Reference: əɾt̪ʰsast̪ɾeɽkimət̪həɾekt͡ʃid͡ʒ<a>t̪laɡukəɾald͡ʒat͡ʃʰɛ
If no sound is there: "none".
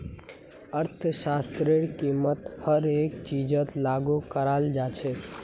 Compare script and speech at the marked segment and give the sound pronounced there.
ə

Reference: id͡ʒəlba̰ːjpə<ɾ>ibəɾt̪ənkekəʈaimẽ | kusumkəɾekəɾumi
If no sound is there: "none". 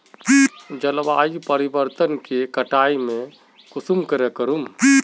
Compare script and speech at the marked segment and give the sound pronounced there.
ɾ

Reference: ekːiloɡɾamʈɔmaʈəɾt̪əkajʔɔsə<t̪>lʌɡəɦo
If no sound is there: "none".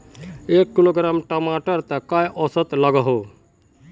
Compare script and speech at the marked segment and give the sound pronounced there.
t̪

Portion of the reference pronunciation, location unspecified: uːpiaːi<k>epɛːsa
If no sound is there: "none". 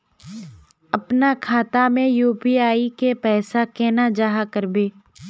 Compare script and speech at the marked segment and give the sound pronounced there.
k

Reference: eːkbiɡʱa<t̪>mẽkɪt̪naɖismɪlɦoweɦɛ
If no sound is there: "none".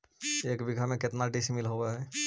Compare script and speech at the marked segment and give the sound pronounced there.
none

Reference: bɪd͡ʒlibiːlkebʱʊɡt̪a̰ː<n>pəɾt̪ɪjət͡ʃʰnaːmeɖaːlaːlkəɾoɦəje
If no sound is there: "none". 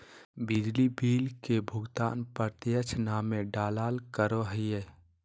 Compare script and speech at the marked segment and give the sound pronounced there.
n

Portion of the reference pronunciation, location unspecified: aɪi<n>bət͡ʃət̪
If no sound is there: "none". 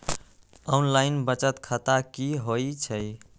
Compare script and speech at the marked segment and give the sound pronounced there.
n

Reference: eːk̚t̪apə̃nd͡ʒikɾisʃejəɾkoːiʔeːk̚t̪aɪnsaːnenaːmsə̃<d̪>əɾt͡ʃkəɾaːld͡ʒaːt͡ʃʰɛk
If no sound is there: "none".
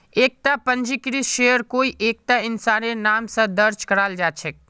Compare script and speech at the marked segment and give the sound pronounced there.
d̪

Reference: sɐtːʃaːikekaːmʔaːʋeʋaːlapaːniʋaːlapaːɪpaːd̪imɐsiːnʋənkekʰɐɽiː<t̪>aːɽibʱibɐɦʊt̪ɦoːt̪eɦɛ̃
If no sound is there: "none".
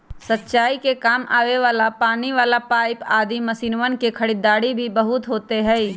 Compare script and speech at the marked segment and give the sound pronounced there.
d̪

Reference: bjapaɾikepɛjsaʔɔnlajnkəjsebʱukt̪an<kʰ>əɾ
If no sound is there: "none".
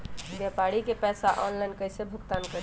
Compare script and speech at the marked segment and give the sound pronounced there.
k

